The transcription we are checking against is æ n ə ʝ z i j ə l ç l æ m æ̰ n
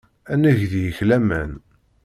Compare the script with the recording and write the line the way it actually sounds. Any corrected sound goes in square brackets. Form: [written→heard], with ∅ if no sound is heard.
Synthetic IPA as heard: æ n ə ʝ [z→ð] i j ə [l→∅] ç l æ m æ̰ n

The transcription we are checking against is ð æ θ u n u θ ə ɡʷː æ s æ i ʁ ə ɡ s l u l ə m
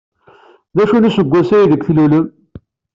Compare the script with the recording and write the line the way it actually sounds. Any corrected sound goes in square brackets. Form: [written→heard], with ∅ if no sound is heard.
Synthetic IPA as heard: ð æ [θ→ʃ] u n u [θ→s] ə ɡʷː æ s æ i [ʁ→ð] ə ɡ [s→θ] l u l ə m

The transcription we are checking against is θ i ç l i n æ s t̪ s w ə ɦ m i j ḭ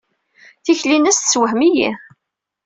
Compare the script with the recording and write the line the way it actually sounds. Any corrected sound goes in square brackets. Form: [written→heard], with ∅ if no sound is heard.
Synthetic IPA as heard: θ i ç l i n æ s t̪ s w ə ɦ m i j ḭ

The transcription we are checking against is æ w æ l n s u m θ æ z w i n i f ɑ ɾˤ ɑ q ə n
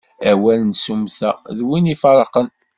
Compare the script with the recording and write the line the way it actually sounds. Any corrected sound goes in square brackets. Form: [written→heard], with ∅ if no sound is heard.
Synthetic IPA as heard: æ w æ l n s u m θ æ [z→ð] w i n i f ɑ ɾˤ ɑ q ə n

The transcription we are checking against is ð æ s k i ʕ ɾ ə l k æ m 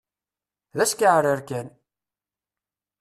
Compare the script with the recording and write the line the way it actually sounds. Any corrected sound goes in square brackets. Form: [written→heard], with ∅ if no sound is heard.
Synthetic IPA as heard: ð æ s k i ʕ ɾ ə [l→ɾ] k æ [m→n]

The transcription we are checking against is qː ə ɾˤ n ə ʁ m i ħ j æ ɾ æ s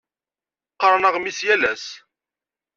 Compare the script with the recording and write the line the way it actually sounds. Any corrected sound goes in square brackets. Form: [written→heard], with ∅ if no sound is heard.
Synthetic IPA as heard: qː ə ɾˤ n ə ʁ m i [ħ→s] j æ [ɾ→l] æ s

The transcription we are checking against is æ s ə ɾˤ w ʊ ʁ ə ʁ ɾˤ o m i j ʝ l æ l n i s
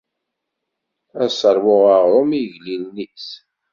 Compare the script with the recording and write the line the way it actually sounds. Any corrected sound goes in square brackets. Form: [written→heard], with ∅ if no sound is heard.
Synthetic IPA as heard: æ s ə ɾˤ w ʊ ʁ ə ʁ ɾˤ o m i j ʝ l [æ→i] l n i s

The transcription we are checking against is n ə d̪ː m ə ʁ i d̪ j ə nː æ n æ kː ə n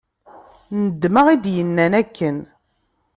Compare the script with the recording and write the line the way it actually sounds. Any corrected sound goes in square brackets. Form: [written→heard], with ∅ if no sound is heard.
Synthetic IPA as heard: n ə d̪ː m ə ʁ i d̪ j ə nː æ n æ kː ə n

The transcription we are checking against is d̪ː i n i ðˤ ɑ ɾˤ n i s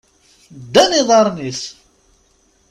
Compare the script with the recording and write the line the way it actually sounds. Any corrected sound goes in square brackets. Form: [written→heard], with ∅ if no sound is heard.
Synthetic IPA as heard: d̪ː [i→æ] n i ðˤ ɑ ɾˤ n i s

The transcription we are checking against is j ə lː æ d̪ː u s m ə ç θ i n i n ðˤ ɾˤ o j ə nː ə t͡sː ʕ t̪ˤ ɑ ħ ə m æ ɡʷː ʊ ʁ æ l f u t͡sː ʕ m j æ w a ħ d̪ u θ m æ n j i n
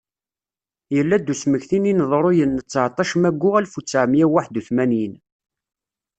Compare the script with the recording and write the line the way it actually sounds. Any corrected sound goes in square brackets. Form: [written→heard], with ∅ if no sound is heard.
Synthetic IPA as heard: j ə lː æ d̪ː u s m ə ç θ i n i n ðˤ ɾˤ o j ə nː ə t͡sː ʕ t̪ˤ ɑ [ħ→ʃ] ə m æ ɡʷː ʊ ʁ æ l f u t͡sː ʕ m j æ w a ħ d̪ u θ m æ n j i n

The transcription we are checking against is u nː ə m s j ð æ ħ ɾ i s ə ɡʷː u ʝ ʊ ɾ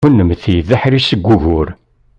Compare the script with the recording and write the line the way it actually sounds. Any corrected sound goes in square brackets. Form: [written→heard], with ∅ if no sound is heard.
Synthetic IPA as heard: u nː ə m [s→θ] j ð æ ħ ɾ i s ə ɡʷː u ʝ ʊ ɾ

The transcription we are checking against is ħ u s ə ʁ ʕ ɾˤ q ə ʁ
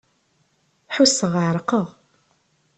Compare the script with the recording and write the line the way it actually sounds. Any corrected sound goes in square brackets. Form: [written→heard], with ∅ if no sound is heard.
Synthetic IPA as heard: ħ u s ə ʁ ʕ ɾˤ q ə ʁ

